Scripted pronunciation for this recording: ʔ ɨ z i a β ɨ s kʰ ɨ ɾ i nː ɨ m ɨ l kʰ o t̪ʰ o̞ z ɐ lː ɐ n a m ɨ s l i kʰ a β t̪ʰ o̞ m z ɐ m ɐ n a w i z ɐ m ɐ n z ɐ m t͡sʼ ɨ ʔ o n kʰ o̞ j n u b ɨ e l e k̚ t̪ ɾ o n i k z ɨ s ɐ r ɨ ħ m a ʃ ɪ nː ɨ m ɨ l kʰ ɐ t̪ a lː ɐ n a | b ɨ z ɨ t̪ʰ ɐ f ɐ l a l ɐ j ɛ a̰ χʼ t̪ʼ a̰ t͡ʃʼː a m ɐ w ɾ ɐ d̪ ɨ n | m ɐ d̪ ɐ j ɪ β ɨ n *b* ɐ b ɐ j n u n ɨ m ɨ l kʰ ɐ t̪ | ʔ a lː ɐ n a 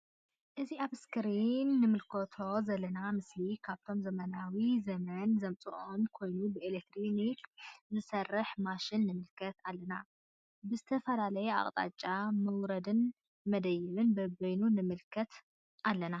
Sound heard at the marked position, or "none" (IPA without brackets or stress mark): b